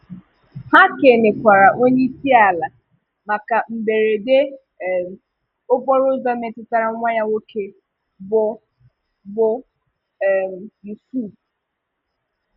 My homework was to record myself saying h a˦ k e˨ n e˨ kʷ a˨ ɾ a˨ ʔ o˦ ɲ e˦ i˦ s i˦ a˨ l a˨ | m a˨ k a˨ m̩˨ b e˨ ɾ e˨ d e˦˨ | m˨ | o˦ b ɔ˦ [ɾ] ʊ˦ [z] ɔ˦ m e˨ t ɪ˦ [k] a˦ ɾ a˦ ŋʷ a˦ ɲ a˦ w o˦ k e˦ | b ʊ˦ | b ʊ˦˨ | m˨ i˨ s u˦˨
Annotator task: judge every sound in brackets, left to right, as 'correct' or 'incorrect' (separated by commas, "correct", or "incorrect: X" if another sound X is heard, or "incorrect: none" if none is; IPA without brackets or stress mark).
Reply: correct, correct, incorrect: t